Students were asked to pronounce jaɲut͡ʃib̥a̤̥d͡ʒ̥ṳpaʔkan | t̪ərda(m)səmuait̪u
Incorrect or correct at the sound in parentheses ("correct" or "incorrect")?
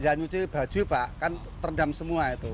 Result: correct